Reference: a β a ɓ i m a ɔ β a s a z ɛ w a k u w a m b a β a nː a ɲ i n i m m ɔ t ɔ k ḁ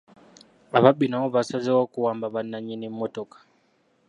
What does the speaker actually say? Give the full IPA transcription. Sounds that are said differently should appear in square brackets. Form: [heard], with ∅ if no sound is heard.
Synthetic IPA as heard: a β a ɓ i [n] a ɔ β a s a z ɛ w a k u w a m b a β a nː a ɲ i n i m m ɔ t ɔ k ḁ